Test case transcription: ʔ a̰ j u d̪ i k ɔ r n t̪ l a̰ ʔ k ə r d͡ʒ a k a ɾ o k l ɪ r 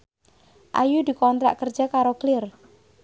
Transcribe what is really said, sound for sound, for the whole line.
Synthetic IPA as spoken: ʔ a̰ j u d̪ i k ɔ n t̪ ɾ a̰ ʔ k ə r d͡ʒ a k a ɾ o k l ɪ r